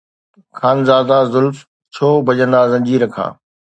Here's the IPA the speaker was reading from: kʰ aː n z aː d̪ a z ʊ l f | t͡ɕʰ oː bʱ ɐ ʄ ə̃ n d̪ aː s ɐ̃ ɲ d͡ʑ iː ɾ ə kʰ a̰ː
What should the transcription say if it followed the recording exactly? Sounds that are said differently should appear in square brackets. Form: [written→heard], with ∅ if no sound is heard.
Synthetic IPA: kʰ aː n z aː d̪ a z ʊ l f | t͡ɕʰ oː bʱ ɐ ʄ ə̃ n d̪ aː [s→z] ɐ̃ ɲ d͡ʑ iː ɾ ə kʰ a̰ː